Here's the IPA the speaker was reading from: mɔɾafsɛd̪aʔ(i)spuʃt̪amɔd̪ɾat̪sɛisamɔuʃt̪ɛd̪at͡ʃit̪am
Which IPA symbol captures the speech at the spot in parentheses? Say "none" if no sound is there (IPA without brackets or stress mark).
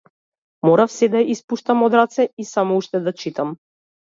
i